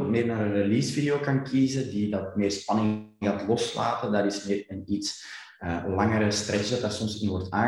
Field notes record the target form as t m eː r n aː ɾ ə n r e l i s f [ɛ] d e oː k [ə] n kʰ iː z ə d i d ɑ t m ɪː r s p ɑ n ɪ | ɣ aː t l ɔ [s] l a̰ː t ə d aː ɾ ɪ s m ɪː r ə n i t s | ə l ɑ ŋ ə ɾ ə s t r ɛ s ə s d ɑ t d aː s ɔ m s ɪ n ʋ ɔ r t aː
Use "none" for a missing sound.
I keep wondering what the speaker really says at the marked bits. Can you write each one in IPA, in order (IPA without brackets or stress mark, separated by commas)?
i, ɑ, s